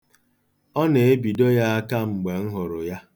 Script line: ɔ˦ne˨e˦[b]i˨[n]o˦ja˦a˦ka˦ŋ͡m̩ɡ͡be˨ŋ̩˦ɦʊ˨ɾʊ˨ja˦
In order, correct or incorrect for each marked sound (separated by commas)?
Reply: correct, incorrect